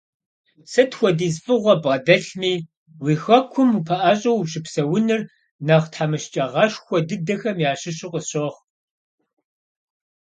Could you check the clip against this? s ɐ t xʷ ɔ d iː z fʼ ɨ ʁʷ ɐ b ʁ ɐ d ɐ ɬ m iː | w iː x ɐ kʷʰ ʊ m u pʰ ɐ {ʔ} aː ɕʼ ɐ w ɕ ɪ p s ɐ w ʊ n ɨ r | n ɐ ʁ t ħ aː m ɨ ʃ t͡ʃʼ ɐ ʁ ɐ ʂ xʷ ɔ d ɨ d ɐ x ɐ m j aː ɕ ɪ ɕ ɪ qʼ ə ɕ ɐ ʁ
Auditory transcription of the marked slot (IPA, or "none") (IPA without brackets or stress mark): ʔ